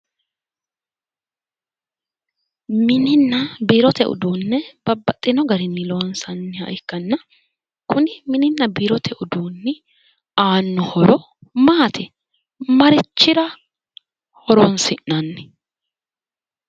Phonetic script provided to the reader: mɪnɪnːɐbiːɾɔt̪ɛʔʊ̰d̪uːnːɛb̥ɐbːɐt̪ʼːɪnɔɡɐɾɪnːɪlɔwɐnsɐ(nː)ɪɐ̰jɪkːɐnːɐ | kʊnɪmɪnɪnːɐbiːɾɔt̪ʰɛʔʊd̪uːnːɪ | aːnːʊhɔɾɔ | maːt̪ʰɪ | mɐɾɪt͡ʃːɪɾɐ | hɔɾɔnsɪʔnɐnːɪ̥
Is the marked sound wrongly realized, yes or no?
no